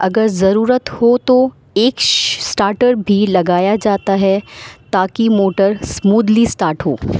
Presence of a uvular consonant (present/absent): absent